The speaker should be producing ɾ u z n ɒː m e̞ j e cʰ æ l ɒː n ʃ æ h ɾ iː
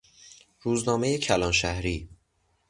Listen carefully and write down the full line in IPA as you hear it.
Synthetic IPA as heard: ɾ uː z n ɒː m e̞ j e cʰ æ l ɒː n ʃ æ h ɾ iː